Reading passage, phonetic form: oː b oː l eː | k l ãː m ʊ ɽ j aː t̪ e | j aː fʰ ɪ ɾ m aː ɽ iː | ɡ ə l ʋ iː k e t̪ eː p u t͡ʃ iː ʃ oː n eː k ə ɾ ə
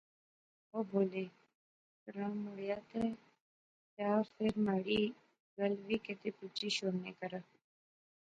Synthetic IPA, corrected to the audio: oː b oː l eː | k ɾ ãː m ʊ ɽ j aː t̪ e | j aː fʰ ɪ ɾ m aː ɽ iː | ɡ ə l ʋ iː k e t̪ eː p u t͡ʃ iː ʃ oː n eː k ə ɾ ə